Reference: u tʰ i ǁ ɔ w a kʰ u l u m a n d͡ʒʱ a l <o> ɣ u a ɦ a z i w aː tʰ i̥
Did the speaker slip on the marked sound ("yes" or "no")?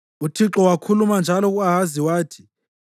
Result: yes